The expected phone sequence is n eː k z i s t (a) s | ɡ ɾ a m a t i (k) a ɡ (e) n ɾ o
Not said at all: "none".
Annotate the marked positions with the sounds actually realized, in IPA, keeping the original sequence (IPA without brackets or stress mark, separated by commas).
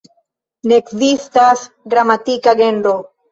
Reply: a, k, e